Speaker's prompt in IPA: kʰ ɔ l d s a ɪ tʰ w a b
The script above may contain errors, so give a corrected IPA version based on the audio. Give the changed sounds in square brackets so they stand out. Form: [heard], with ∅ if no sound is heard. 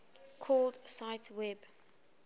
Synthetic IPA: kʰ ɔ l d s a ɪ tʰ w [ɛ] b